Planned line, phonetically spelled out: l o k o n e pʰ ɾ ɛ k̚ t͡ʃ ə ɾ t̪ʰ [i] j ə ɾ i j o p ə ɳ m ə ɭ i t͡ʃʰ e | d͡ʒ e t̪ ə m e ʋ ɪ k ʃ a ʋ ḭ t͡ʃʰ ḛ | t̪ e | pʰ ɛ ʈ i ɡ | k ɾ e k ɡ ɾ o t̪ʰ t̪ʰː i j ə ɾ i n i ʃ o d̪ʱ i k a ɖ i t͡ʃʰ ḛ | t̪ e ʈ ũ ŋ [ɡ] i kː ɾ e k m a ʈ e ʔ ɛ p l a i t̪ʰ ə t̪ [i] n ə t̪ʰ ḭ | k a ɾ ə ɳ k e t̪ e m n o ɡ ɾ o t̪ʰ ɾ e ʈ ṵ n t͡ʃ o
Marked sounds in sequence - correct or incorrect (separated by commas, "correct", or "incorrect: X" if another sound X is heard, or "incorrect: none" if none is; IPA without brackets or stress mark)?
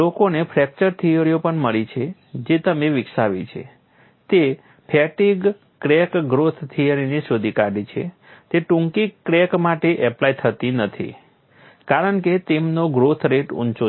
correct, incorrect: k, correct